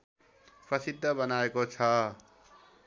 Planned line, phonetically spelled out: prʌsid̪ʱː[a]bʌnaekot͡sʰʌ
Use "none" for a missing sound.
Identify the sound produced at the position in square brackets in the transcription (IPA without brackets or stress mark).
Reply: ʌ